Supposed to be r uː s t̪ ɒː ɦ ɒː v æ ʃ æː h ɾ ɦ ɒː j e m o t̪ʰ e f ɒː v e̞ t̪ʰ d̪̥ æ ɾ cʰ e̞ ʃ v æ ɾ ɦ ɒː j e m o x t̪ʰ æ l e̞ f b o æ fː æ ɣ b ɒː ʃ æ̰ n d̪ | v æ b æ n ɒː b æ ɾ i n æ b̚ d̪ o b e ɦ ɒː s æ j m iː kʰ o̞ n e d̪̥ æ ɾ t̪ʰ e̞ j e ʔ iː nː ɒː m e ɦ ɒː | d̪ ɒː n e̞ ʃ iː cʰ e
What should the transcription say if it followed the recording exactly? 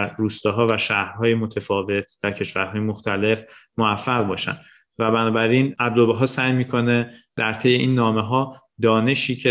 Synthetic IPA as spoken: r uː s t̪ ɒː ɦ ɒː v æ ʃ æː h ɾ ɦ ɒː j e m o t̪ʰ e f ɒː v e̞ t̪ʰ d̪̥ æ ɾ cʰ e̞ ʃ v æ ɾ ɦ ɒː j e m o x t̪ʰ æ l e̞ f m o æ fː æ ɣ b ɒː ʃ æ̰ n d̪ | v æ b æ n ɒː b æ ɾ i n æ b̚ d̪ o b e ɦ ɒː s æ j m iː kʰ o̞ n e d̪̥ æ ɾ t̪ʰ e̞ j e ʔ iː nː ɒː m e ɦ ɒː | d̪ ɒː n e̞ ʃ iː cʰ e